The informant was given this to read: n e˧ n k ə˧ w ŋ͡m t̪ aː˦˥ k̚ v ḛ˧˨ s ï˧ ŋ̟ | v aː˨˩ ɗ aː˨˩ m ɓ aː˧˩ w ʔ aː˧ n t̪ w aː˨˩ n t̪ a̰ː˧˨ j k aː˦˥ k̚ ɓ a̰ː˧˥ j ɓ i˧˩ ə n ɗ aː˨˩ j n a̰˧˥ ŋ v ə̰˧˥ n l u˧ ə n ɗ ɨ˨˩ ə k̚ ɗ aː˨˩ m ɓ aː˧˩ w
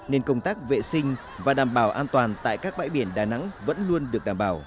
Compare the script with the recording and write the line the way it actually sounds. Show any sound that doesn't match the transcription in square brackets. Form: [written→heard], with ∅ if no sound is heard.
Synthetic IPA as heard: n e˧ n k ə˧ w ŋ͡m t̪ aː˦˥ k̚ v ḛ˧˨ s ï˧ ŋ̟ | v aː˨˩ ɗ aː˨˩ m ɓ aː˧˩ w ʔ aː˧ n t̪ w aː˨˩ n t̪ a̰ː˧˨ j k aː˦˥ k̚ ɓ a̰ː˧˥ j ɓ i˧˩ ə n ɗ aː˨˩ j n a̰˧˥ ŋ v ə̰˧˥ n l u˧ ə n ɗ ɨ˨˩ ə k̚ ɗ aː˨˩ m ɓ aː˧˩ w